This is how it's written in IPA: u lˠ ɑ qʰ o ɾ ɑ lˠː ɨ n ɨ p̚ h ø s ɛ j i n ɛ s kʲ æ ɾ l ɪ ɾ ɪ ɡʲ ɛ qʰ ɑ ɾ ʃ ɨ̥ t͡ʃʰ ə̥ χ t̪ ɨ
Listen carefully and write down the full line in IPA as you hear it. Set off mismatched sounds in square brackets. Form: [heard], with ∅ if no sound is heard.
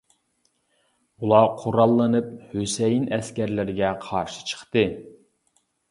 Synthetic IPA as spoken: u lˠ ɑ qʰ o ɾ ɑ lˠː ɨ n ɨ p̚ h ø s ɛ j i n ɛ s kʲ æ ɾ l ɪ ɾ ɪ ɡʲ ɛ qʰ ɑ ɾ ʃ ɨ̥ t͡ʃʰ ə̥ χ t̪ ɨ